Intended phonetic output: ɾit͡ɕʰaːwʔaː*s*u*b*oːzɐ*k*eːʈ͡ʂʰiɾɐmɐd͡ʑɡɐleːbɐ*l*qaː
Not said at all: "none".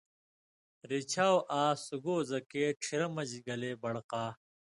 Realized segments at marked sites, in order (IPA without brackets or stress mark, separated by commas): s, ɡ, k, ɽ